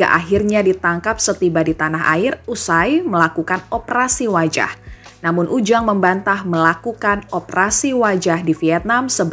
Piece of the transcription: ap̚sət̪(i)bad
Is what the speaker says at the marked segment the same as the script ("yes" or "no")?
yes